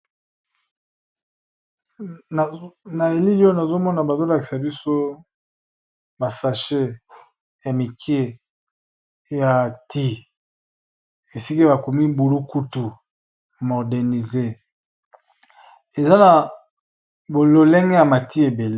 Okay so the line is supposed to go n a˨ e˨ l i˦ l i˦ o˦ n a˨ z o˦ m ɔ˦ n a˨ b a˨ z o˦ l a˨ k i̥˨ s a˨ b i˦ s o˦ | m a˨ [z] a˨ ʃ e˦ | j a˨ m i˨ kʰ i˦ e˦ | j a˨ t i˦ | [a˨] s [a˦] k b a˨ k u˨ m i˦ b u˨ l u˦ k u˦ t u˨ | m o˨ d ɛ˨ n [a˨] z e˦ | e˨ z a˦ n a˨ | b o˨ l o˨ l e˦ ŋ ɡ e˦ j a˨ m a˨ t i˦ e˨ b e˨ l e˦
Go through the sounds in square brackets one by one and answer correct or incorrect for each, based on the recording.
incorrect, incorrect, incorrect, incorrect

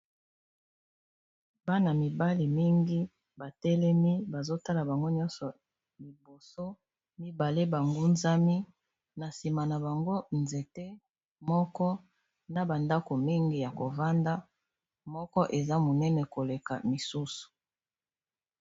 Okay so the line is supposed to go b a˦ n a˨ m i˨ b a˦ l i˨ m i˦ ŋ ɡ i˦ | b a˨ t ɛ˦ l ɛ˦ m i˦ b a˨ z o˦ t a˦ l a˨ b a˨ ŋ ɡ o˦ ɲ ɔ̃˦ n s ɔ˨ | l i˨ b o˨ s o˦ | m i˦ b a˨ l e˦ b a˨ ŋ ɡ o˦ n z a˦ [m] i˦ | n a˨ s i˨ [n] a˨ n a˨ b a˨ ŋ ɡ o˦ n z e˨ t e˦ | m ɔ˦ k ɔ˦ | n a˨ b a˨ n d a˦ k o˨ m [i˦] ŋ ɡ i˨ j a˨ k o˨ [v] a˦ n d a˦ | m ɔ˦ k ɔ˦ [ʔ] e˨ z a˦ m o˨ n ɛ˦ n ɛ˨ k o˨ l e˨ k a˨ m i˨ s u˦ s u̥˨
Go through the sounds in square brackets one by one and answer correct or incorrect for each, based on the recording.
correct, incorrect, correct, correct, correct

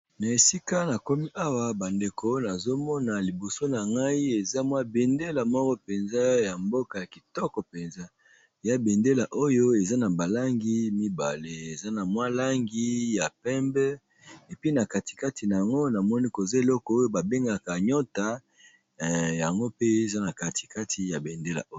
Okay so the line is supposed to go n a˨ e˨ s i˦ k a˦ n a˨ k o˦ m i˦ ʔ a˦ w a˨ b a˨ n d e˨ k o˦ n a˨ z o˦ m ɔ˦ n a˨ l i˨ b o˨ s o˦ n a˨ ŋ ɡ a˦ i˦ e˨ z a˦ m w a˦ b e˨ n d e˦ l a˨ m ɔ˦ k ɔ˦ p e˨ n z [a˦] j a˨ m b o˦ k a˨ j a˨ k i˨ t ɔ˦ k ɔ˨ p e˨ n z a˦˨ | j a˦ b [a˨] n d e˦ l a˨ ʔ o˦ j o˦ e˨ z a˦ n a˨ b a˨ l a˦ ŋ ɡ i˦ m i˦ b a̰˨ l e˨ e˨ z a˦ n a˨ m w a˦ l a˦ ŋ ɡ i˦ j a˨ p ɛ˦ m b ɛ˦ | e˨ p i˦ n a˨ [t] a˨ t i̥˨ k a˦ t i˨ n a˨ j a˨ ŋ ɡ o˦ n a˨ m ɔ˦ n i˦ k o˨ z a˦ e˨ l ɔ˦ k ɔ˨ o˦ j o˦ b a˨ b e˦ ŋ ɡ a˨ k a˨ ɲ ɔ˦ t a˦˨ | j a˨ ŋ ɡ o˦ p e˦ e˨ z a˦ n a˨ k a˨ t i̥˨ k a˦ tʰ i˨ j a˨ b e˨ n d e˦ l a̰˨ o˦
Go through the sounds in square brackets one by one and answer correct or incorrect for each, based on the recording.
correct, incorrect, incorrect

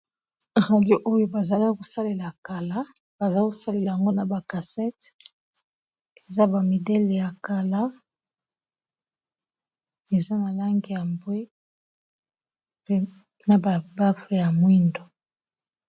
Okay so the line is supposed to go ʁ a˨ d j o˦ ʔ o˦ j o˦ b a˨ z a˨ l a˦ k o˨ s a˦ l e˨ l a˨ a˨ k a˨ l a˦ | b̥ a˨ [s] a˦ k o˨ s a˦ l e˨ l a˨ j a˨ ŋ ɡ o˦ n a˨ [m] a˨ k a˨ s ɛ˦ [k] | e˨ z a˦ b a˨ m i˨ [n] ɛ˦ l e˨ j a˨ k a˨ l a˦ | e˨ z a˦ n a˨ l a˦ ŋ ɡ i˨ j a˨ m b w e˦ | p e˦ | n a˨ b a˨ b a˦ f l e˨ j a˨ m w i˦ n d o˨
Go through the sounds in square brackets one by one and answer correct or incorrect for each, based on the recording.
incorrect, incorrect, incorrect, incorrect

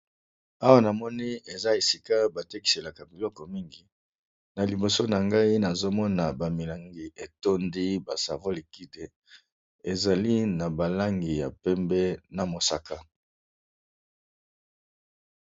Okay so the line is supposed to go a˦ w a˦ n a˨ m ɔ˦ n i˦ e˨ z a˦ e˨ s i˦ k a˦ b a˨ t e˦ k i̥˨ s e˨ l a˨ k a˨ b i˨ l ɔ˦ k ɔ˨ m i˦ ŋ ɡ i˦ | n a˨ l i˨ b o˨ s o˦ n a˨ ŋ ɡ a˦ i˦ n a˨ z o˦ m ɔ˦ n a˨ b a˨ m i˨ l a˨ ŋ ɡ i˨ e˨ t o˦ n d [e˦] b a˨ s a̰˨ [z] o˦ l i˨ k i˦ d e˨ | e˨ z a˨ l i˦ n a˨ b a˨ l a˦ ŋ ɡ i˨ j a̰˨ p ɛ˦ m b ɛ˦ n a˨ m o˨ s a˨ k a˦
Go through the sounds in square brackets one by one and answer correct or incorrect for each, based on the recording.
incorrect, incorrect

